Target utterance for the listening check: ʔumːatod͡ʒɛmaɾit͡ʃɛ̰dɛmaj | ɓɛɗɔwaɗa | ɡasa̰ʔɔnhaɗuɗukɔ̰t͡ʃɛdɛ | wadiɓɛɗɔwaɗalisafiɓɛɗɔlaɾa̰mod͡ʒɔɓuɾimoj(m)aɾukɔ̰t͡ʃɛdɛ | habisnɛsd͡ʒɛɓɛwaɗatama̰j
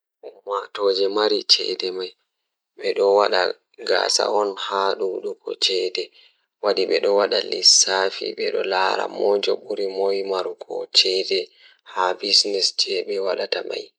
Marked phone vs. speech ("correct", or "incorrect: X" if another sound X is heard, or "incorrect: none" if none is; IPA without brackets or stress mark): correct